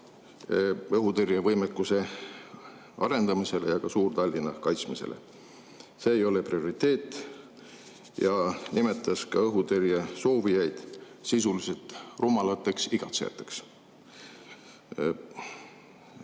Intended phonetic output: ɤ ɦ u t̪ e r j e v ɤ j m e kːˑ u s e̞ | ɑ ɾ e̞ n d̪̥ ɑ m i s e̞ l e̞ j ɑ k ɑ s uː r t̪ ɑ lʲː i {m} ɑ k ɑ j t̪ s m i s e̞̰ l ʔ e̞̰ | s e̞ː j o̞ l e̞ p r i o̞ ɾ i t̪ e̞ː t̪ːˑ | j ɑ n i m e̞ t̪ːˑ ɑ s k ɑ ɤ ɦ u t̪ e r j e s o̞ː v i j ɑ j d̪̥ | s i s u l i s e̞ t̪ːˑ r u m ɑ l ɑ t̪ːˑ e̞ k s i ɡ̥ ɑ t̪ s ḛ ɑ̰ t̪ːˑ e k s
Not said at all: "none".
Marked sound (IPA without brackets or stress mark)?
n